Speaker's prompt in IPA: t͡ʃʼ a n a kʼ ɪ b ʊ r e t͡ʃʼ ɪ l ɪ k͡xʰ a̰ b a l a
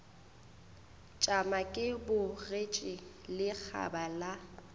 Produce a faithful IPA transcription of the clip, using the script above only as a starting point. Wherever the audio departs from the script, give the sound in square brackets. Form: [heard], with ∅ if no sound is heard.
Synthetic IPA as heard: t͡ʃʼ a [m] a kʼ ɪ b ʊ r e t͡ʃʼ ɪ l ɪ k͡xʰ a̰ b a l a